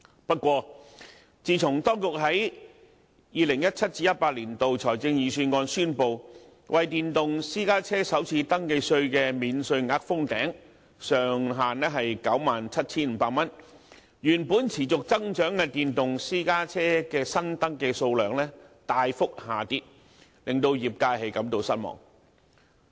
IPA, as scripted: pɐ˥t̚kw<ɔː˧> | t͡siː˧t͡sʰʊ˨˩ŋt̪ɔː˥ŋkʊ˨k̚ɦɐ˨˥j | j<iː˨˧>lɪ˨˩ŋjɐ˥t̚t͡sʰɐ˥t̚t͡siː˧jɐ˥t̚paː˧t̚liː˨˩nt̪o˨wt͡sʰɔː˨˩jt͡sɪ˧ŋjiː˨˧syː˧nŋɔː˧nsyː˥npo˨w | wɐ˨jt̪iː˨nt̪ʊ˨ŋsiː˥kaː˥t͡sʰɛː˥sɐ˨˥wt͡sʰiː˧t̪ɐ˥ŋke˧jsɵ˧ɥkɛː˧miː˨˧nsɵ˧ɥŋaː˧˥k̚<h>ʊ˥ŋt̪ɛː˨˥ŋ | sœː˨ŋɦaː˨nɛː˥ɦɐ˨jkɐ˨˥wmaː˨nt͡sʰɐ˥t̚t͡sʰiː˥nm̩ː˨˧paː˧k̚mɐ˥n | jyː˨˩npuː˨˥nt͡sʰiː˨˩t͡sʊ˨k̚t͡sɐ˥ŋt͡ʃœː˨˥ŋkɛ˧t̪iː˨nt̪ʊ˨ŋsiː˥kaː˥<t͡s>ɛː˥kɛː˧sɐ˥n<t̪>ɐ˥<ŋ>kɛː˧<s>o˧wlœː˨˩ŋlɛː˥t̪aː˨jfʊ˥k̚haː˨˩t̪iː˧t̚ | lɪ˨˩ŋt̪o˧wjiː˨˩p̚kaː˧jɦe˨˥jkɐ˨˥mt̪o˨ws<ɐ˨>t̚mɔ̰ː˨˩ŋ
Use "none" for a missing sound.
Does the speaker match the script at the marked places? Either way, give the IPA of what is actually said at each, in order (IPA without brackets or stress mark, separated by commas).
ɔː˧, iː˨˧, f, t͡sʰ, t̪, ŋ, s, ɐ˥